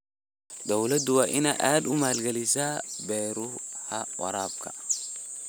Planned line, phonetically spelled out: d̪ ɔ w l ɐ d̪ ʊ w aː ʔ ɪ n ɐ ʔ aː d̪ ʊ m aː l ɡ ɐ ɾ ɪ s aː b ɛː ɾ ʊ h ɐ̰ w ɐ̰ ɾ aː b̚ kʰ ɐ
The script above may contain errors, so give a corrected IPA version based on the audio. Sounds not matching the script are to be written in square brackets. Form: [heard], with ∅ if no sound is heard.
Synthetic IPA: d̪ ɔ w l ɐ d̪ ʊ w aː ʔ ɪ n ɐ ʔ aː d̪ ʊ m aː l ɡ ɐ [l] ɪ s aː b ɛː ɾ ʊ h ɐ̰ w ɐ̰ ɾ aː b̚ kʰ ɐ